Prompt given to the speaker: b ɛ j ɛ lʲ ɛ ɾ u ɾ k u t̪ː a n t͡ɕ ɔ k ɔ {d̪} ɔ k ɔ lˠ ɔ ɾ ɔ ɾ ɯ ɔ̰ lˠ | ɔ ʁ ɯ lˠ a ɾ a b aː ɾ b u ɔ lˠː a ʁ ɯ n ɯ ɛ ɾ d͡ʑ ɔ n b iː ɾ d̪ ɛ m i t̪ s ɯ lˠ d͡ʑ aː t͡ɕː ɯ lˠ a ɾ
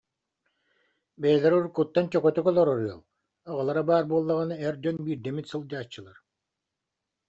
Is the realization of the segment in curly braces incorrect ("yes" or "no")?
yes